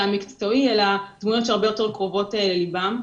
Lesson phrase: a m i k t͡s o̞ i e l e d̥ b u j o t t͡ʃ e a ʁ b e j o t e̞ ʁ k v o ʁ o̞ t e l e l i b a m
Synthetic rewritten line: a m i k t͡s o̞ i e l a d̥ m u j o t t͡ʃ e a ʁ b e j o t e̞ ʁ k ʁ o v o̞ t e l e l i b a m